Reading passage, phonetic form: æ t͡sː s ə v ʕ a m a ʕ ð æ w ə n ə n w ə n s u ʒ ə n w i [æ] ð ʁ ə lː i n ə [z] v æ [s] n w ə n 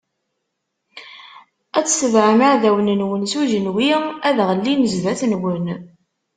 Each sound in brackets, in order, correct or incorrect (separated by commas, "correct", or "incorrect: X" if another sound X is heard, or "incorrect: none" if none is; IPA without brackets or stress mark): correct, correct, incorrect: θ